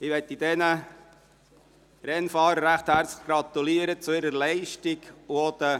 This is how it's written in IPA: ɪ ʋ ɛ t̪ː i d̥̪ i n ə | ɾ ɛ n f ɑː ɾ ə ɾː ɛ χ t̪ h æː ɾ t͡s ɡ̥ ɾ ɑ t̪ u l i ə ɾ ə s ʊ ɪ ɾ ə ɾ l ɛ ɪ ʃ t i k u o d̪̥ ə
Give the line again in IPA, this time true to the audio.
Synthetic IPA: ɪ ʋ ɛ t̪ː i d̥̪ ɛ n ə | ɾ ɛ n f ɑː ɾ ə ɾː æ χ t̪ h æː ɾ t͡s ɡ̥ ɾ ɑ t̪ u l i ə ɾ ə t͡s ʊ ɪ ɾ ə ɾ l ɛ ɪ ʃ t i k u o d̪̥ ə